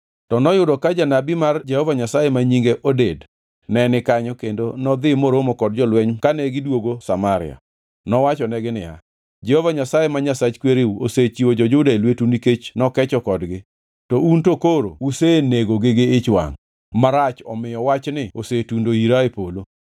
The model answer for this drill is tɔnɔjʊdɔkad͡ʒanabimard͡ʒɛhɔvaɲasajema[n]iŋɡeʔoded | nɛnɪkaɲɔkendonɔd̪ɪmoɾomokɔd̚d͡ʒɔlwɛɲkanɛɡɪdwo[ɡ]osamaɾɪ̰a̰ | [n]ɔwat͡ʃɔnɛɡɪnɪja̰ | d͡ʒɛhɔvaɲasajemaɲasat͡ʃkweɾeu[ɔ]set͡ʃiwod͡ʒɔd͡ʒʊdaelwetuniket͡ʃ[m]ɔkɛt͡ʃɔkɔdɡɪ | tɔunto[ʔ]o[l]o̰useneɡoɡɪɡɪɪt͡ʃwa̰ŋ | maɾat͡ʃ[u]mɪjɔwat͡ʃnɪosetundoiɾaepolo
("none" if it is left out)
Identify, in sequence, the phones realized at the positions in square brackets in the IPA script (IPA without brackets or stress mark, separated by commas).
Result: ɲ, ɡ, n, o, n, k, ɾ, ɔ